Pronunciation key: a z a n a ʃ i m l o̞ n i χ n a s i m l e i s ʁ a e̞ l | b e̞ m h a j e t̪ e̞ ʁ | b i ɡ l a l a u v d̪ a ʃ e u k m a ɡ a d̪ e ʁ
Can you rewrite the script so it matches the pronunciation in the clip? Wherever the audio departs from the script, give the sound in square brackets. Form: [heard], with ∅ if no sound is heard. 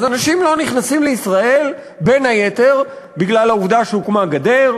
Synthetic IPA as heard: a z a n a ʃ i m l o̞ n i χ n a s i m l e i s ʁ a e̞ l | b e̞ [n] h a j e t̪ e̞ ʁ | b i ɡ l a l a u v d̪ a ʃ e u k m a ɡ a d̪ e ʁ